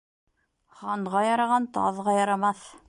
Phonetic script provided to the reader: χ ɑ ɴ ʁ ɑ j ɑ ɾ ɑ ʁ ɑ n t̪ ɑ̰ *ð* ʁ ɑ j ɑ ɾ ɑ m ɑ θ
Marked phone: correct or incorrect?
correct